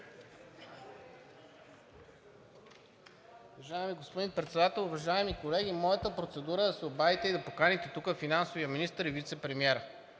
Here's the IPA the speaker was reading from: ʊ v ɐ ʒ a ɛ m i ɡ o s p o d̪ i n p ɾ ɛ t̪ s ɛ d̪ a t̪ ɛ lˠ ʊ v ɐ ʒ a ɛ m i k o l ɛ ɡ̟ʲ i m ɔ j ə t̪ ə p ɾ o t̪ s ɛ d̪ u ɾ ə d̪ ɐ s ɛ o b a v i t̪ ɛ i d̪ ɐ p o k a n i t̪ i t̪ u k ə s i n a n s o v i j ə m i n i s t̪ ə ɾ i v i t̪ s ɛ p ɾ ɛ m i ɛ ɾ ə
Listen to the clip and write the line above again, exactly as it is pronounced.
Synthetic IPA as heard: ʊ v ɐ ʒ a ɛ m i ɡ o s p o d̪ i n p ɾ ɛ t̪ s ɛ d̪ a t̪ ɛ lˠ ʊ v ɐ ʒ a ɛ m i k o l ɛ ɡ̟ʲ i m ɔ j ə t̪ ə p ɾ o t̪ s ɛ d̪ u ɾ ə d̪ ɐ s ɛ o b a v i t̪ ɛ i d̪ ɐ p o k a n i t̪ ɛ t̪ u k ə f i n a n s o v i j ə m i n i s t̪ ə ɾ i v i t̪ s ɛ p ɾ ɛ m i ɛ ɾ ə